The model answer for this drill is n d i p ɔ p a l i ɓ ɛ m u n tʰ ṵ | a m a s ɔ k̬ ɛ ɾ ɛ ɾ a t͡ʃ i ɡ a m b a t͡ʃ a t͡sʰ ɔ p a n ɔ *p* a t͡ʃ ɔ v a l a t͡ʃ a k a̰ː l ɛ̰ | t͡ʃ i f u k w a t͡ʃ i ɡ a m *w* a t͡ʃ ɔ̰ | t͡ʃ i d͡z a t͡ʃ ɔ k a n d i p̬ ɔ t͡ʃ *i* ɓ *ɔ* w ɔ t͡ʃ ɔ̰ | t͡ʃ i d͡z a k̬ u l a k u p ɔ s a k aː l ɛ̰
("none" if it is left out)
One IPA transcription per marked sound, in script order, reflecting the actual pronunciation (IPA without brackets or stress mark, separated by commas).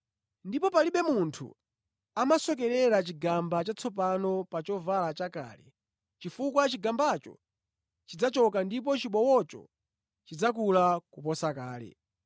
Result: p, b, i, ɔ